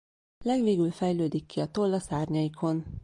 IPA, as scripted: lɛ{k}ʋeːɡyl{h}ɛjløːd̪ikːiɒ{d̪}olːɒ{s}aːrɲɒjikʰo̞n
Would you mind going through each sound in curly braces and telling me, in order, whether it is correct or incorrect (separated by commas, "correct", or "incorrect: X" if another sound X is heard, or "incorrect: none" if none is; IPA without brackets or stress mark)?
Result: incorrect: ɡ, incorrect: f, incorrect: t̪, correct